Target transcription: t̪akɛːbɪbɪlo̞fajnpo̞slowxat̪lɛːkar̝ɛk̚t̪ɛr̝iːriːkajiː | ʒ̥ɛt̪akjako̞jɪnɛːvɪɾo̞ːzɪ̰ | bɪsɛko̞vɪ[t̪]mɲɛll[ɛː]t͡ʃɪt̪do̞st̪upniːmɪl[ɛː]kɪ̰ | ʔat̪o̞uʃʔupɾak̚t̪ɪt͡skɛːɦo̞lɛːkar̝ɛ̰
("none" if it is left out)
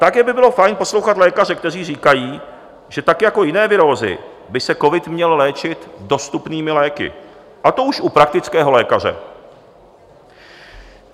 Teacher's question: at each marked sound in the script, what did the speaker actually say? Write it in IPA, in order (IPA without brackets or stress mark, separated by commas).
t̪, ɛː, ɛː